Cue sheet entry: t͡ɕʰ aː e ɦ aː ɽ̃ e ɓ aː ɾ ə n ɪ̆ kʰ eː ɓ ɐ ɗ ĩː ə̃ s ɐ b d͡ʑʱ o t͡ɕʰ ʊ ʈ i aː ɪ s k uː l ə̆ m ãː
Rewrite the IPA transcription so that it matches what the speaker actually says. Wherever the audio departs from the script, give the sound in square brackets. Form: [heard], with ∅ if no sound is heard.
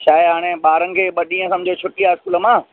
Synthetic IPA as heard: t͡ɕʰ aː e ɦ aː ɽ̃ e ɓ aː ɾ ə n ɪ̆ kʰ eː ɓ ɐ ɗ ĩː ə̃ s ɐ [m] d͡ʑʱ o t͡ɕʰ ʊ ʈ i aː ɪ s k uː l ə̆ m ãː